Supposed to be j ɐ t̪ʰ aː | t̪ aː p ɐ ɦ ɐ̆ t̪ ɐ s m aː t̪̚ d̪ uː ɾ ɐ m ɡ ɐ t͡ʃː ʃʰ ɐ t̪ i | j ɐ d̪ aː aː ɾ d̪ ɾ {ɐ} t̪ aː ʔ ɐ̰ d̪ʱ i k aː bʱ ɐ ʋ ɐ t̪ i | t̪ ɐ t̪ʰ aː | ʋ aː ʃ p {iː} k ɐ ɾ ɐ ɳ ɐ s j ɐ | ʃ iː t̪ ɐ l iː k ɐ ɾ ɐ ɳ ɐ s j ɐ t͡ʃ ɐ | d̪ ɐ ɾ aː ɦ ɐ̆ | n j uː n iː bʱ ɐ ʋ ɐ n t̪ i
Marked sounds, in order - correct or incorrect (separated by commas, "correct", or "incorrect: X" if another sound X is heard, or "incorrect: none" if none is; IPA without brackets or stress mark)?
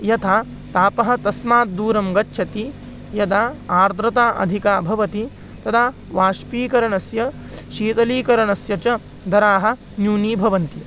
correct, correct